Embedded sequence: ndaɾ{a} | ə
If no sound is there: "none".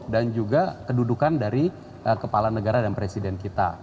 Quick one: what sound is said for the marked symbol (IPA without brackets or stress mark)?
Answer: i